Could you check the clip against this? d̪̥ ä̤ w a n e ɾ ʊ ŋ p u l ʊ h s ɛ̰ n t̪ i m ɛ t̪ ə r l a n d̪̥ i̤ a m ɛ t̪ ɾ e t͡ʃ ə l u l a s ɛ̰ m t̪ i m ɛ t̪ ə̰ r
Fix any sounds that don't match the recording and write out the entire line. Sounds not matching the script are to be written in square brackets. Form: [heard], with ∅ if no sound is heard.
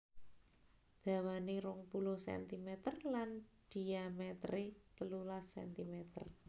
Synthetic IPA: d̪̥ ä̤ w a n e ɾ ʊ ŋ p u l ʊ h s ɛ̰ n t̪ i m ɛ t̪ ə r l a n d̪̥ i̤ a m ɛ t̪ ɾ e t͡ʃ ə l u l a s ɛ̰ [n] t̪ i m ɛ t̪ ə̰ r